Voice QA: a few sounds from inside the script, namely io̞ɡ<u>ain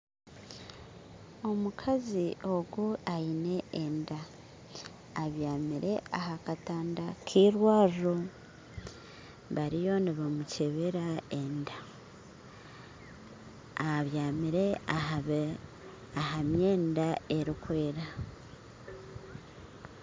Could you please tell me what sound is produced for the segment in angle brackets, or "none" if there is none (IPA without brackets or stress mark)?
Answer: u